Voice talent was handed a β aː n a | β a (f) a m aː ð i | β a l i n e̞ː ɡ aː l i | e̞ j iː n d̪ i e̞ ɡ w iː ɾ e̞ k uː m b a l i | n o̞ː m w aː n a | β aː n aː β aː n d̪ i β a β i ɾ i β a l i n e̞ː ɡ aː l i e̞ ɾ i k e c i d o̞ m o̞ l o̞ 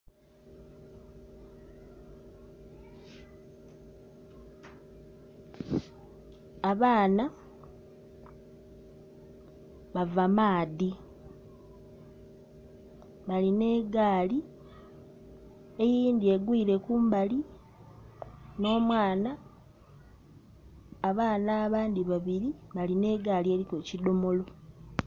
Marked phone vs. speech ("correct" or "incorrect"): incorrect